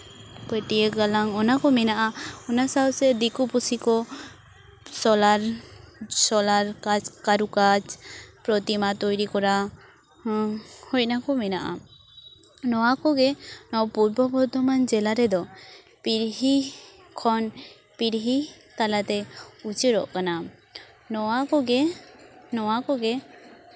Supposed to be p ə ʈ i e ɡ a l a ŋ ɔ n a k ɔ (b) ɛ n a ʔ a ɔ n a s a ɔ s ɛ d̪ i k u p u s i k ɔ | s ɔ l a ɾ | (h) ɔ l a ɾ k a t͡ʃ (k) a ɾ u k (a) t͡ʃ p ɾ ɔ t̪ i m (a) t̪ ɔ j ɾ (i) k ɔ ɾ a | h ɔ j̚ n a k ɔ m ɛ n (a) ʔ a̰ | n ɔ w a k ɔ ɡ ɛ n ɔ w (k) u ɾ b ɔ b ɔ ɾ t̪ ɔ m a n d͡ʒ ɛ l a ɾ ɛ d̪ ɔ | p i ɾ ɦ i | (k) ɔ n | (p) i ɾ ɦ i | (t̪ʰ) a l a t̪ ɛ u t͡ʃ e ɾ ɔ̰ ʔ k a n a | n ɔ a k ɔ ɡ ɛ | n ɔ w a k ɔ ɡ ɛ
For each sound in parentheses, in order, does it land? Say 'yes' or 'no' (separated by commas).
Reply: no, no, yes, yes, yes, yes, yes, no, no, yes, no